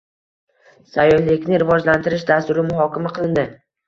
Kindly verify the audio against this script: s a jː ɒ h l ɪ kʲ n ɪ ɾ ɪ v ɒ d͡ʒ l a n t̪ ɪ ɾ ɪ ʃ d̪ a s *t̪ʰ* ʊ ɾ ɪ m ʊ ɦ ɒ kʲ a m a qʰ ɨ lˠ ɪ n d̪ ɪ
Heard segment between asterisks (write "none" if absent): t̪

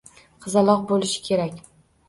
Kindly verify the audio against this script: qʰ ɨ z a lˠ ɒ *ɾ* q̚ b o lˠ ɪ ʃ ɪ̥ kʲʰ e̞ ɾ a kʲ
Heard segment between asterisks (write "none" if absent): none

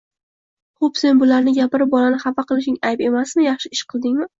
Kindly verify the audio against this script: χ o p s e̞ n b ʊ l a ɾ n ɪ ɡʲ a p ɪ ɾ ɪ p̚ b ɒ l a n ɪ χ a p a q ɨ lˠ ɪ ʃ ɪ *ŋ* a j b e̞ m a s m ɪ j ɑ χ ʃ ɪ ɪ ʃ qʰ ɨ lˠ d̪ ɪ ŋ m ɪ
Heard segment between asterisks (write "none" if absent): ŋ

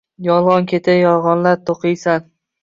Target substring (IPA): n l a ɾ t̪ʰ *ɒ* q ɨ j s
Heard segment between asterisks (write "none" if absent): o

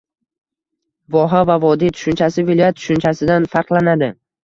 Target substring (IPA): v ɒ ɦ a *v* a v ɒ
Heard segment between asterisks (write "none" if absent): v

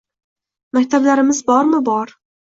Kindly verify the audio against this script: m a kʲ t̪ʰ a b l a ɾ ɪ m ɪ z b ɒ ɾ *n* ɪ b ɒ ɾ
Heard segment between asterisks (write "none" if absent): m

